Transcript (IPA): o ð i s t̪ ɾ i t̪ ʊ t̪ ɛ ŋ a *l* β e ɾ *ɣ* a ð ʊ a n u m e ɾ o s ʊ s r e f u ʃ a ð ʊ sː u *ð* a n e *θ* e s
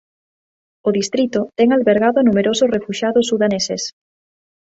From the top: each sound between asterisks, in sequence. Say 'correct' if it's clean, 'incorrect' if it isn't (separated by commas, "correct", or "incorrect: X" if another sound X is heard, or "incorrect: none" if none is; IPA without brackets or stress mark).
correct, correct, correct, incorrect: s